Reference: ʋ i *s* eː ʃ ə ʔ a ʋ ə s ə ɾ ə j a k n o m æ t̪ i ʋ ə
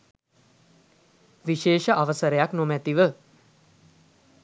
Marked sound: incorrect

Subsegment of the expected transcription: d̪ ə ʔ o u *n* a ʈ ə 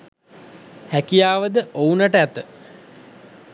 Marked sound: correct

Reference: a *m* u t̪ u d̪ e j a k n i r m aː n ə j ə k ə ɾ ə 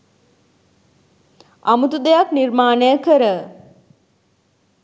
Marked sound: correct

